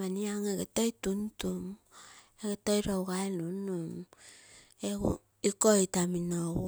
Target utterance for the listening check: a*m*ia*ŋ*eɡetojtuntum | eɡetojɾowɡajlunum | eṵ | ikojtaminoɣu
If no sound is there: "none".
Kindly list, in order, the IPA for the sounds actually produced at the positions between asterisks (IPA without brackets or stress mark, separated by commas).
n, ŋ